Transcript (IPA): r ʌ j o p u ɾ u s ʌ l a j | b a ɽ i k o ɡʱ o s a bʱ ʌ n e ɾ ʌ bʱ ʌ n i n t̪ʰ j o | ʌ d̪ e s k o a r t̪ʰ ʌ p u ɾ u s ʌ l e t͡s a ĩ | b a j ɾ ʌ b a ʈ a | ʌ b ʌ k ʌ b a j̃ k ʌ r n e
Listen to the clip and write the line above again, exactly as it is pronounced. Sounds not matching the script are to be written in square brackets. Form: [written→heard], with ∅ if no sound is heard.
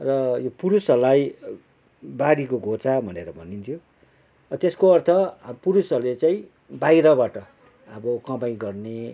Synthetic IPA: r ʌ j o p u ɾ u s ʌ l a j | b a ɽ i k o ɡʱ o [s→t͡s] a bʱ ʌ n e ɾ ʌ bʱ ʌ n i n t̪ʰ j o | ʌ [d̪→t̪] e s k o [a→ʌ] r t̪ʰ ʌ p u ɾ u s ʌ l e t͡s a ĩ | b a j ɾ ʌ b a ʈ [a→ʌ] | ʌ b ʌ k ʌ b a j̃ [k→ɡ] ʌ r n e